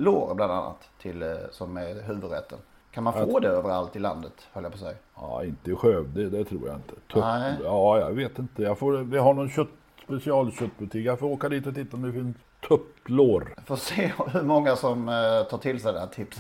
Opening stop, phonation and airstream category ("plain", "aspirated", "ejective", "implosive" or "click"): plain